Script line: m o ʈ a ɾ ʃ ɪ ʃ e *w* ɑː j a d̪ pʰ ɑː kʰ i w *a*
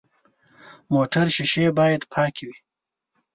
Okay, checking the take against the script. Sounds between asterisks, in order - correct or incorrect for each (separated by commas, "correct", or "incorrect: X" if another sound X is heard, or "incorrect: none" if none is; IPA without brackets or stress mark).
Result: incorrect: b, incorrect: i